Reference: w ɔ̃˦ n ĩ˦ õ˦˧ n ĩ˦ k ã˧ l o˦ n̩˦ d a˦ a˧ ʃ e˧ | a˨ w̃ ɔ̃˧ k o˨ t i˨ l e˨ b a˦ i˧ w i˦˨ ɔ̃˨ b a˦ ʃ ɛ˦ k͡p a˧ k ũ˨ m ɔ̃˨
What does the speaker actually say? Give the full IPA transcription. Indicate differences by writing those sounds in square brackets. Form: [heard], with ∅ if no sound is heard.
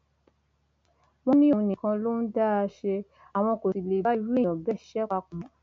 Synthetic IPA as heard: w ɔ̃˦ n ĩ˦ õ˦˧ n [ĩ˨] k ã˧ l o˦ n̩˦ d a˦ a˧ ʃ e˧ | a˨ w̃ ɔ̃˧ k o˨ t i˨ l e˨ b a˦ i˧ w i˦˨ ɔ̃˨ b [ɛ˦] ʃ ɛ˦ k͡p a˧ k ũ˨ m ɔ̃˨